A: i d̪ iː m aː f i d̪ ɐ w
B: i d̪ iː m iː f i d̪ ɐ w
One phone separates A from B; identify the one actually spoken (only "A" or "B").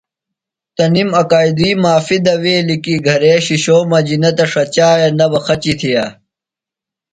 A